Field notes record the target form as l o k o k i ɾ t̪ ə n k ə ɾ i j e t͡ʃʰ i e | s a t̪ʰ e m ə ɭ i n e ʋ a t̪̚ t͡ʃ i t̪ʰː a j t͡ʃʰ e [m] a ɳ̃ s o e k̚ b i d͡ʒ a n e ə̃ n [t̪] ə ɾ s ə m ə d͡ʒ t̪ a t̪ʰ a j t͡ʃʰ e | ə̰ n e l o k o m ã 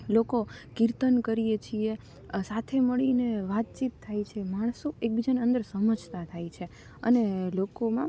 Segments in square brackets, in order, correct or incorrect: correct, incorrect

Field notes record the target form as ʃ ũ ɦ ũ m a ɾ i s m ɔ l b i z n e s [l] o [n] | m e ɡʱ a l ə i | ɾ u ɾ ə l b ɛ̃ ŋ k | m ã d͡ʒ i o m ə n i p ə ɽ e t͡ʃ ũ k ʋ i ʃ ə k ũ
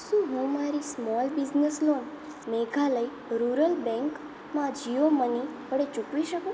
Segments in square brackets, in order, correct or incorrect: correct, correct

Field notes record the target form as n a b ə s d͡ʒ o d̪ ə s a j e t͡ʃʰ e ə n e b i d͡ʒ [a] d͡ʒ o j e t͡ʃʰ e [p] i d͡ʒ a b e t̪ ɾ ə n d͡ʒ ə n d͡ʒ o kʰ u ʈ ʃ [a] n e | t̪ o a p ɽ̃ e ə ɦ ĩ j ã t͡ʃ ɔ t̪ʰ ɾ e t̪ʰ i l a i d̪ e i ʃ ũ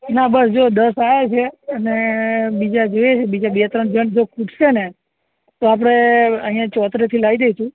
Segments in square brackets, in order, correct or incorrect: correct, incorrect, incorrect

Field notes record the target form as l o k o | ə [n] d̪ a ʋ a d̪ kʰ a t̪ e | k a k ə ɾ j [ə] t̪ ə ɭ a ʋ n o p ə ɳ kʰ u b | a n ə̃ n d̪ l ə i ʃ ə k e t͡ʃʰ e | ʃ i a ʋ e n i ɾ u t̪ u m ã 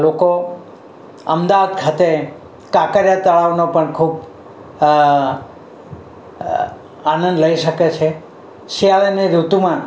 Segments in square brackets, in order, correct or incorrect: incorrect, incorrect

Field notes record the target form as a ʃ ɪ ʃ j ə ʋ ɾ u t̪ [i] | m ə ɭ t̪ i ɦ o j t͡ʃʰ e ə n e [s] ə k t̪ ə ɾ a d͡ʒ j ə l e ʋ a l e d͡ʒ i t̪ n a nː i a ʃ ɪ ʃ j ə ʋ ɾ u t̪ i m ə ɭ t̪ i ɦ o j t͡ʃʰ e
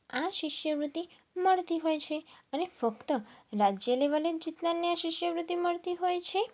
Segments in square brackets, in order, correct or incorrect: correct, incorrect

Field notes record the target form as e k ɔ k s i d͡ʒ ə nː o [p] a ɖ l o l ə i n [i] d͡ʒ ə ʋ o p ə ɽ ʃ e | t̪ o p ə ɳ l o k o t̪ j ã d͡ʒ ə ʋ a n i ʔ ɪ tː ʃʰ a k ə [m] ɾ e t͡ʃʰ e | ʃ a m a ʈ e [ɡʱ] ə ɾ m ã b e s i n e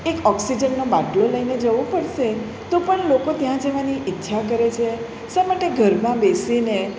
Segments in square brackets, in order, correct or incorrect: incorrect, incorrect, incorrect, correct

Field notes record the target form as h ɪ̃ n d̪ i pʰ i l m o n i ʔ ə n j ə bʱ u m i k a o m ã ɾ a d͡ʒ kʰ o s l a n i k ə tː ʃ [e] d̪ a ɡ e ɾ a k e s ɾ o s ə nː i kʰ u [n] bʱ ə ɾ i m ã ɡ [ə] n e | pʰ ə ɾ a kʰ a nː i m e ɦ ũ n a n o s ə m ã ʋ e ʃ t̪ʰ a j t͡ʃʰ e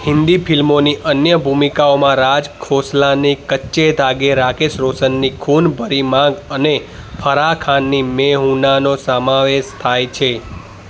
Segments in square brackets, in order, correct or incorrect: correct, correct, correct

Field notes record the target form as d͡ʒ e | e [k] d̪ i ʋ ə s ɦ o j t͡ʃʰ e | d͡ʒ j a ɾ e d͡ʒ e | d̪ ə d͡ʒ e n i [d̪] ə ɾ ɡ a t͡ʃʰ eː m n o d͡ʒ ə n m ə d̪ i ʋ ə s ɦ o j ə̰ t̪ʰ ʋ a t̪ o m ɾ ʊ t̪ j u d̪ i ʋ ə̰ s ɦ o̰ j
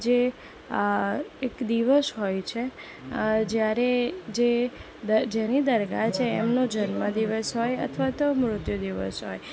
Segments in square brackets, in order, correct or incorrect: correct, correct

